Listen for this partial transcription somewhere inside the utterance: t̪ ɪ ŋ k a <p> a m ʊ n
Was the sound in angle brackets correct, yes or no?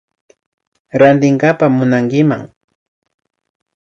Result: yes